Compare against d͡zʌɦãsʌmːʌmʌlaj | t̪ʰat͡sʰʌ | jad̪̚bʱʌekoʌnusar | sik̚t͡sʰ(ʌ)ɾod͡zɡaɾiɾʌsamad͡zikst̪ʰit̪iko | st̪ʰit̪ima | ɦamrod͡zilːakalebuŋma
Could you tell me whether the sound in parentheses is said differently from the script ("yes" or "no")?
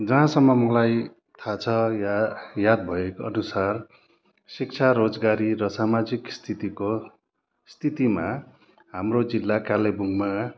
yes